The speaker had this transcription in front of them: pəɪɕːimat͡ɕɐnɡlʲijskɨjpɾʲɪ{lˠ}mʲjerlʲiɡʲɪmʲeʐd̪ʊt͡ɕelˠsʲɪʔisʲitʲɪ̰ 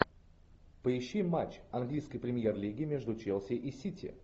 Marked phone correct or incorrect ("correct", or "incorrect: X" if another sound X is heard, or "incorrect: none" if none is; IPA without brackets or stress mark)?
incorrect: none